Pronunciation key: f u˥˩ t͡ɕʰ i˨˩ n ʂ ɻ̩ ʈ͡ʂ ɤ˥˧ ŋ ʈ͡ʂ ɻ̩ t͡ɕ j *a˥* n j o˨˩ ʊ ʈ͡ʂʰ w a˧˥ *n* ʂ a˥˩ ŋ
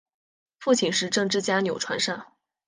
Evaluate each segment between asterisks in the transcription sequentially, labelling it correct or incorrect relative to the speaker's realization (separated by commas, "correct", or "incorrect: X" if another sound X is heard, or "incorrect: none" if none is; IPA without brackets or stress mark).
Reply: correct, correct